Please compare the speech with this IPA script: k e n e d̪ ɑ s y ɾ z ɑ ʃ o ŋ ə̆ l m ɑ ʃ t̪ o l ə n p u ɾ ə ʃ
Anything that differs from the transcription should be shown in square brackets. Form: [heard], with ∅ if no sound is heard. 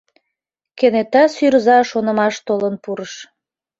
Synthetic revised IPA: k e n e [t̪] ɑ s y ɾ z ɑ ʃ o [n] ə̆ [∅] m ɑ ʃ t̪ o l ə n p u ɾ ə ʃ